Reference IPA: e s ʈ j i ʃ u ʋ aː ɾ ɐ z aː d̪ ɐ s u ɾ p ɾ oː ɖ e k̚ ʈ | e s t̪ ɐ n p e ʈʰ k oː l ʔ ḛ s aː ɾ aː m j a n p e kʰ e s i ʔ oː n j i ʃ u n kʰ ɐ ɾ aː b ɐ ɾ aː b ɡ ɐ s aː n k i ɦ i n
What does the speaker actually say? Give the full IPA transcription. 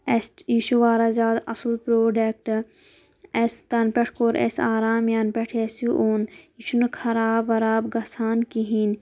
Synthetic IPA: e s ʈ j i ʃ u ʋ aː ɾ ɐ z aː d̪ ɐ s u l p ɾ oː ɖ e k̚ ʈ | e s t̪ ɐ n p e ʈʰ k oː ɾ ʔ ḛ s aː ɾ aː m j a n p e ʈʰ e s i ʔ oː n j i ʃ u n kʰ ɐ ɾ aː b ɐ ɾ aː b ɡ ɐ s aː n k i ɦ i n